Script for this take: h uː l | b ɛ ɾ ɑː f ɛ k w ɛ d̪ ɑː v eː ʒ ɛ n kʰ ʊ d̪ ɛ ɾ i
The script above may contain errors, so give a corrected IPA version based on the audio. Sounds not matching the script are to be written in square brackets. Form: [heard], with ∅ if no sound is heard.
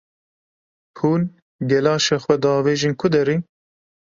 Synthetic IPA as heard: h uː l | [ɡ] ɛ [l] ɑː [ʃ] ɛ [x] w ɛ d̪ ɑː v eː ʒ [i] n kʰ ʊ d̪ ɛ ɾ i